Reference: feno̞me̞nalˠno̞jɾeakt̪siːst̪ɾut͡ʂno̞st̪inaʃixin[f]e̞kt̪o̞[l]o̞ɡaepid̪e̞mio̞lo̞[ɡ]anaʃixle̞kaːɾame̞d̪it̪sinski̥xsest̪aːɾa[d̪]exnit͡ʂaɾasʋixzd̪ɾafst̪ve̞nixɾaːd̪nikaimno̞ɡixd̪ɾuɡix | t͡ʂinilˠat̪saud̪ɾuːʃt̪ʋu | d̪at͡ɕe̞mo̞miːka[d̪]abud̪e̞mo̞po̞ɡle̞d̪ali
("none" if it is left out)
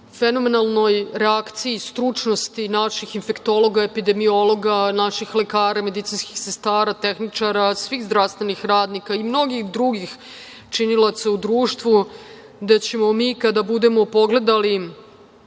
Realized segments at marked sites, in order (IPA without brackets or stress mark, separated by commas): f, l, ɡ, t̪, d̪